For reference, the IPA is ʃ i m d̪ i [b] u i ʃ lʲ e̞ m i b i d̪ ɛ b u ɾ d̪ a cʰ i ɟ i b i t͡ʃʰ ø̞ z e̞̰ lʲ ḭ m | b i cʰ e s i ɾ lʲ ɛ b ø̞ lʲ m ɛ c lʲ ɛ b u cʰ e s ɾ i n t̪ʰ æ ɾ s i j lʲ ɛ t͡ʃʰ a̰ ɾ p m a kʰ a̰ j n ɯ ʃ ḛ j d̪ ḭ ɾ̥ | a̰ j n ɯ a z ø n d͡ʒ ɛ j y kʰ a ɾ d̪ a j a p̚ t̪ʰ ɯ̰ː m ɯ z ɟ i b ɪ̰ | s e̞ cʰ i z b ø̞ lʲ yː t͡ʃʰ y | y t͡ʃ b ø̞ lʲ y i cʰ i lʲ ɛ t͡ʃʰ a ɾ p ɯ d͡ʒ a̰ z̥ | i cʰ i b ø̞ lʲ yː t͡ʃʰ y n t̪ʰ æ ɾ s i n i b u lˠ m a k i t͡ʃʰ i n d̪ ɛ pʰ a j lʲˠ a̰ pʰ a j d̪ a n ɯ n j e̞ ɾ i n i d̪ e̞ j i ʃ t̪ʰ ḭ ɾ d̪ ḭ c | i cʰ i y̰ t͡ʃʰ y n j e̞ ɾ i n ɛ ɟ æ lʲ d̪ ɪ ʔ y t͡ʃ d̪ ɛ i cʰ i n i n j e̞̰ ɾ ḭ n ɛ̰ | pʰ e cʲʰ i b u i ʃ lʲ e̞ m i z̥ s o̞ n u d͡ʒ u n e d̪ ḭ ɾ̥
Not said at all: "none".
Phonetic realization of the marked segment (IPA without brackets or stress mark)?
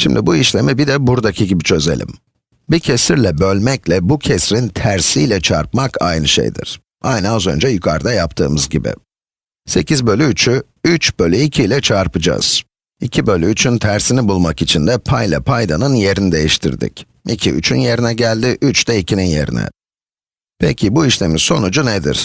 b